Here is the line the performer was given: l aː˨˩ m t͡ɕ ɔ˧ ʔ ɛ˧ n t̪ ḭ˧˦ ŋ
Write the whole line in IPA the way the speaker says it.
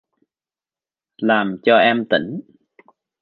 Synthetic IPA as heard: l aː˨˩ m t͡ɕ ɔ˧ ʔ ɛ˧ m t̪ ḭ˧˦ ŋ